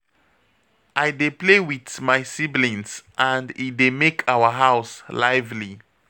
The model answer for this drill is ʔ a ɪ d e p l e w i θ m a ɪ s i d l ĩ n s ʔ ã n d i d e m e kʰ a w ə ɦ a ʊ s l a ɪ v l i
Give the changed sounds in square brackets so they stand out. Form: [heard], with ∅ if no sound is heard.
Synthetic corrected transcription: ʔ a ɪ d e p l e w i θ m a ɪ s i [b] l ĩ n s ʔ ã n d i d e m e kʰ a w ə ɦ a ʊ s l a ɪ v l i